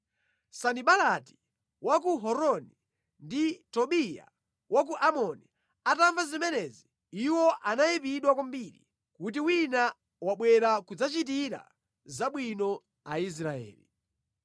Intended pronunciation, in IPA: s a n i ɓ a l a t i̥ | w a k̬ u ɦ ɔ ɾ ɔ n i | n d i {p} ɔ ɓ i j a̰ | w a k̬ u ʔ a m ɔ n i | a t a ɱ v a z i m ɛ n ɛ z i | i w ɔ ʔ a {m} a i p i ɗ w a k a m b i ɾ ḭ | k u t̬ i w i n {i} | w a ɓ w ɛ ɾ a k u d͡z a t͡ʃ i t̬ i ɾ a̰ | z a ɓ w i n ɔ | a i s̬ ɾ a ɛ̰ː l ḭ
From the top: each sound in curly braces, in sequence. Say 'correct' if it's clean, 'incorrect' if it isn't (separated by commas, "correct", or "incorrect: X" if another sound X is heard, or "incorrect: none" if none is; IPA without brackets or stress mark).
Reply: incorrect: t, incorrect: n, incorrect: a